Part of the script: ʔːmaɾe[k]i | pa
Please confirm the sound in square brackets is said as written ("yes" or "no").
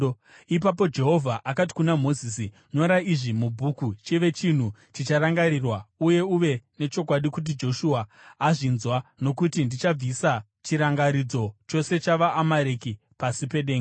yes